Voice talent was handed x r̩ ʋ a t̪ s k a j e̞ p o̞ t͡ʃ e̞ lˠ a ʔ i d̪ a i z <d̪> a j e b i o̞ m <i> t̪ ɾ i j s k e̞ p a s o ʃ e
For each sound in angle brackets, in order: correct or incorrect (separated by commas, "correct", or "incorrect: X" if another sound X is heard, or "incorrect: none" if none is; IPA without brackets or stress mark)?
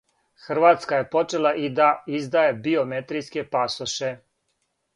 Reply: correct, incorrect: e